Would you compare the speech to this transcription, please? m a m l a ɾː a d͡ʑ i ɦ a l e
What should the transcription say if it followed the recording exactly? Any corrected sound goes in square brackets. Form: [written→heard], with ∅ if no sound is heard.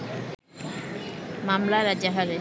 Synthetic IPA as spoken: m a m l a [ɾː→ɾ] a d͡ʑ [i→a] ɦ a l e

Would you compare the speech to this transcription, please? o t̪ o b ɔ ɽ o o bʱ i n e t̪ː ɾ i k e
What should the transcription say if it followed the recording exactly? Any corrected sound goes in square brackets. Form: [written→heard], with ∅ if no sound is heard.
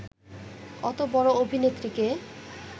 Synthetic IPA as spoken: [o→ɔ] t̪ o b ɔ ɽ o o bʱ i n e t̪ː ɾ i k e

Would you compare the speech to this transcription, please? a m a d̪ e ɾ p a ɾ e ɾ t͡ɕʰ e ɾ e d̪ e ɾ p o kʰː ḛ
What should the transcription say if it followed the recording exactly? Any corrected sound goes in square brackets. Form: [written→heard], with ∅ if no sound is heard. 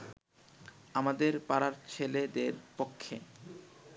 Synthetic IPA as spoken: a m a d̪ e ɾ p a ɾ [e→a] ɾ t͡ɕʰ e [ɾ→l] e d̪ e ɾ p o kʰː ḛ

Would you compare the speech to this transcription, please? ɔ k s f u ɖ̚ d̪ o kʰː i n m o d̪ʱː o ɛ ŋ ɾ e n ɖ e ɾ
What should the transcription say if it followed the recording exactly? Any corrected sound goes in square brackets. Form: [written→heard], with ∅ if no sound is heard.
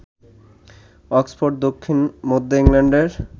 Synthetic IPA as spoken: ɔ k s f [u→o] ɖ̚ d̪ o kʰː i n m o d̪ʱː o [ɛ→i] ŋ [ɾ→l] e [n→ɳ] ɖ e ɾ

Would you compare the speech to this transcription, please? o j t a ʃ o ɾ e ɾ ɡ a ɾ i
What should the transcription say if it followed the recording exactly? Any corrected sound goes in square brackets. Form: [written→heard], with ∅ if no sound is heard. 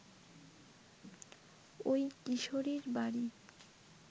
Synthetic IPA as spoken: o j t [a→i] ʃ o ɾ [e→i] ɾ [ɡ→b] a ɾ i

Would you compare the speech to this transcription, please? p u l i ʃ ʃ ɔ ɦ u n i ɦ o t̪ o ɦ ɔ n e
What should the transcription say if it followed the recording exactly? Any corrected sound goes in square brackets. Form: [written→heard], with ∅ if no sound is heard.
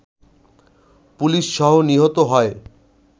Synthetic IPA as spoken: p u l i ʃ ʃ ɔ ɦ [u→o] n i ɦ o t̪ o ɦ ɔ [n→∅] e

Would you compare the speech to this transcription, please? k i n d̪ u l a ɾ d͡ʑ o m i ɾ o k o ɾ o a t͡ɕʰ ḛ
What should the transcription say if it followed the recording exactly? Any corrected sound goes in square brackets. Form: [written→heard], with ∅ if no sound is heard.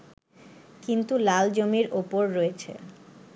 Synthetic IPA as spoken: k i n [d̪→t̪] u l a [ɾ→l] d͡ʑ o m i ɾ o [k→p] o [ɾ→ɾː] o [a→e] t͡ɕʰ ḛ

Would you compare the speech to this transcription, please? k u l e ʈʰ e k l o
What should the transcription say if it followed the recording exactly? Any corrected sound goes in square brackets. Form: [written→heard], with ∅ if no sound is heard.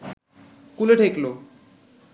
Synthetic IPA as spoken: k u l e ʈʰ e k l o

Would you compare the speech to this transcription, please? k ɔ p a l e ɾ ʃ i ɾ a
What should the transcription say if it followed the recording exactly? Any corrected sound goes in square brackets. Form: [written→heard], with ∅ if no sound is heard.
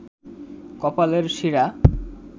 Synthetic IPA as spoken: k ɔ p a l e ɾ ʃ i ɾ a

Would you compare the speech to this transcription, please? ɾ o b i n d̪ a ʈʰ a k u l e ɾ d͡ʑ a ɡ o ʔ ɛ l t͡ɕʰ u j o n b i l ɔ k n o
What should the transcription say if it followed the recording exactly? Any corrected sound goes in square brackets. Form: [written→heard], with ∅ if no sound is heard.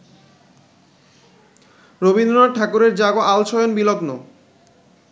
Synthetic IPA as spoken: ɾ o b i n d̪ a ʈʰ a k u [l→ɾ] e ɾ d͡ʑ a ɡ o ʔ [ɛ→a] l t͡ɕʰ [u→ɔ] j o n b i l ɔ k n o

